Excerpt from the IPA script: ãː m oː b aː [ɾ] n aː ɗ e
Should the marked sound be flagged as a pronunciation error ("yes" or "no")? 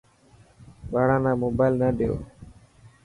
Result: yes